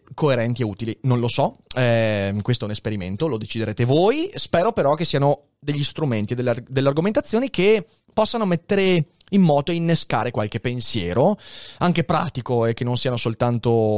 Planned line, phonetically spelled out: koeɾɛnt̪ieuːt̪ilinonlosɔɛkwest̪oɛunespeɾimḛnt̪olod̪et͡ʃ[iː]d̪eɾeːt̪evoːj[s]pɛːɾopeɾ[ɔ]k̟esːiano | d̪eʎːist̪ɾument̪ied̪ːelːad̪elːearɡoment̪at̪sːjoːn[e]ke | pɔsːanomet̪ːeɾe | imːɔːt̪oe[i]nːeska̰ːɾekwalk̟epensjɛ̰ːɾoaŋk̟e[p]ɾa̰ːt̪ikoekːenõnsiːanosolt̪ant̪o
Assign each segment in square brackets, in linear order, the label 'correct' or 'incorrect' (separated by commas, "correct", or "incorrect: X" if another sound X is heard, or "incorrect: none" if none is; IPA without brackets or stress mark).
incorrect: i, correct, correct, incorrect: i, correct, correct